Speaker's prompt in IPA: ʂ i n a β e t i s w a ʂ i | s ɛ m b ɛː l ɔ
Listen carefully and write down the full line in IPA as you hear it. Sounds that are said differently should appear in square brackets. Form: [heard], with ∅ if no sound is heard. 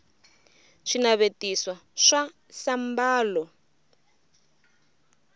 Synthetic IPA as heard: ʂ i n a β e t i s w a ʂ [a] | s [a] m b [aː] l ɔ